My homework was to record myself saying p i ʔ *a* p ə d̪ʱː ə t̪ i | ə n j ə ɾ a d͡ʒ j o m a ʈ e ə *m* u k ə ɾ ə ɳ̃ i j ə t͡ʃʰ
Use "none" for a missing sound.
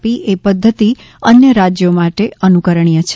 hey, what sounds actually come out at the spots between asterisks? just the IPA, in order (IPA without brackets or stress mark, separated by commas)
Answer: e, n